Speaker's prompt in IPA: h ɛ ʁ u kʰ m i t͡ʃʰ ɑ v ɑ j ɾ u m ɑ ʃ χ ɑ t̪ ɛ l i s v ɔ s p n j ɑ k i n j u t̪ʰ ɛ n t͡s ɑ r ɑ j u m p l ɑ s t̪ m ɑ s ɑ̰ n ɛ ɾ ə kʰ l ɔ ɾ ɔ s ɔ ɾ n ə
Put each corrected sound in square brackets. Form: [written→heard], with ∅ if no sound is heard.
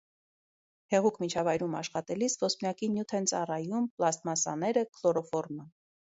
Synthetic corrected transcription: h ɛ ʁ u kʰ m i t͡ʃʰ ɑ v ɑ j ɾ u m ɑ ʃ χ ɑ t̪ ɛ l i s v ɔ s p n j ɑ k i n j u t̪ʰ ɛ n t͡s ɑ r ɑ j u m p l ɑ s t̪ m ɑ s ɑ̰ n ɛ ɾ ə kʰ l ɔ ɾ ɔ [s→f] ɔ ɾ [n→m] ə